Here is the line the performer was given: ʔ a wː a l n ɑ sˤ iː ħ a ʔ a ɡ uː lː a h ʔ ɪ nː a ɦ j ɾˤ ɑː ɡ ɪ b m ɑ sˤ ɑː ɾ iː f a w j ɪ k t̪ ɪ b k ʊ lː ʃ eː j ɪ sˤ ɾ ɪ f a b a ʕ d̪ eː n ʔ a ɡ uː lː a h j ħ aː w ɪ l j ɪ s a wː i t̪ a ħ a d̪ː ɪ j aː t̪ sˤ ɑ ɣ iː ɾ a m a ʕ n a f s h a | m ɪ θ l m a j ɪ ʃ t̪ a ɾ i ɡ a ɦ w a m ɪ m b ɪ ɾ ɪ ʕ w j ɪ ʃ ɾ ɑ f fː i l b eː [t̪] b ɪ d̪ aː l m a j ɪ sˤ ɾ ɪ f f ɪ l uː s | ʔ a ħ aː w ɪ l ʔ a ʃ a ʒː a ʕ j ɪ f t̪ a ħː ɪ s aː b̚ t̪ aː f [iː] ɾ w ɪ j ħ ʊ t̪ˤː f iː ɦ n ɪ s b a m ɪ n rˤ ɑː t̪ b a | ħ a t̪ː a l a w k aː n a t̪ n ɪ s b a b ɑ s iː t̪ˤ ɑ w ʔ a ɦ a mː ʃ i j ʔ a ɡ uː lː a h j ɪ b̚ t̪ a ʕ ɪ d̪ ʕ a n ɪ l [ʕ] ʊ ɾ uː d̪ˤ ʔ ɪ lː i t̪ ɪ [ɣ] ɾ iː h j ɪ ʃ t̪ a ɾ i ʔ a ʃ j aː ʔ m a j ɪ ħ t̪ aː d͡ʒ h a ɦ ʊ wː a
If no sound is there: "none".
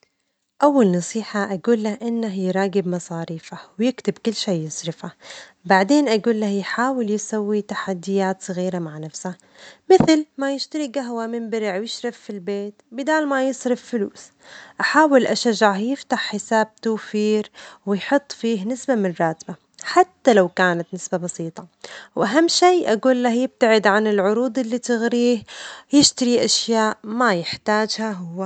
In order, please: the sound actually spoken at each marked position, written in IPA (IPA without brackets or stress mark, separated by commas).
t̪, iː, ʕ, ɣ